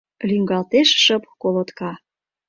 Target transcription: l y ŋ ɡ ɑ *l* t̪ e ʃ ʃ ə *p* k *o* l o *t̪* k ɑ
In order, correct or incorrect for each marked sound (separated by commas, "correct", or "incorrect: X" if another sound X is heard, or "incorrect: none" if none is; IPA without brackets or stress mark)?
correct, correct, correct, correct